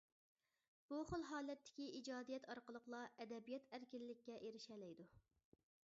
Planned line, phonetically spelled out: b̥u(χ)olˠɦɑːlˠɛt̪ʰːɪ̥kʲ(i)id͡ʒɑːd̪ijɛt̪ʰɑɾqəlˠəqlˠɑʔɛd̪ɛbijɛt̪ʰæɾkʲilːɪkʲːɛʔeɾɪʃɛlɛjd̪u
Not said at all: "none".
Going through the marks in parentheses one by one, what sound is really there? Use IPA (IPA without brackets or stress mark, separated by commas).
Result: χ, i